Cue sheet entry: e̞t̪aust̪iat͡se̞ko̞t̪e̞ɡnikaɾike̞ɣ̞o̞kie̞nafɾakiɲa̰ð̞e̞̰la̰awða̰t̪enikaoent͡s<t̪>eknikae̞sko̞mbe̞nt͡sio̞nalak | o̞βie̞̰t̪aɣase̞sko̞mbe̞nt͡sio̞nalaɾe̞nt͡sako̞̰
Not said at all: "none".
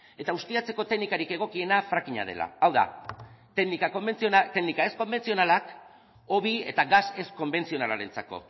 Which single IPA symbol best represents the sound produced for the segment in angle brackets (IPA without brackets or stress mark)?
t̪